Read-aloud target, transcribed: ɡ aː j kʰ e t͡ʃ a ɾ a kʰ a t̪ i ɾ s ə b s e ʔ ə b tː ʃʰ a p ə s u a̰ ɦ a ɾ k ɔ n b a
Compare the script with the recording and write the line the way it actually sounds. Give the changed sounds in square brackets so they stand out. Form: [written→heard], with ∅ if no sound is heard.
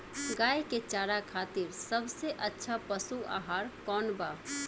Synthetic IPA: ɡ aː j [kʰ→k] e t͡ʃ a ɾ a kʰ a t̪ i ɾ s ə b s e ʔ ə [b→∅] tː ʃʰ a p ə s u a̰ ɦ a ɾ k ɔ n b a